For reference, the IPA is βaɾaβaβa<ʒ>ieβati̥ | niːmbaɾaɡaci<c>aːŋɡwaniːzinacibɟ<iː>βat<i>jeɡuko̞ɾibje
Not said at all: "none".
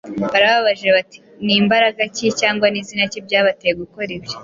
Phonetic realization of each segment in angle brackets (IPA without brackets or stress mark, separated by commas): ʒ, c, aː, e